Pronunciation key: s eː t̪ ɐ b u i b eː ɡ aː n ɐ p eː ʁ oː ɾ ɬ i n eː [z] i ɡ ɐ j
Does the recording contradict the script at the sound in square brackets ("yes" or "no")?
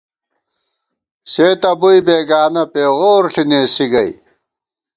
yes